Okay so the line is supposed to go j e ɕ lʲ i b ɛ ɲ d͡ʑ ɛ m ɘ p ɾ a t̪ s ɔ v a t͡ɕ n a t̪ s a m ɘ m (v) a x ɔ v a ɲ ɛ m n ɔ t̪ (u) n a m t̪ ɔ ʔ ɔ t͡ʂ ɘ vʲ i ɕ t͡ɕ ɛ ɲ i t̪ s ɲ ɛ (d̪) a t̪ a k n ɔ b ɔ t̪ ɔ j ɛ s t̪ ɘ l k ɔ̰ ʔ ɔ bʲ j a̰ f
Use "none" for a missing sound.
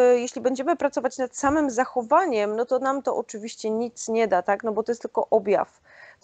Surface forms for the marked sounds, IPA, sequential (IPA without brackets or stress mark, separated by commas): z, ɔ, d̪